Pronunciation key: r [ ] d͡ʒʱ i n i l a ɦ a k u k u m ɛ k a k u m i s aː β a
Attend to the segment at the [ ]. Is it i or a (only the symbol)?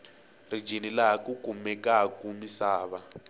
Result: i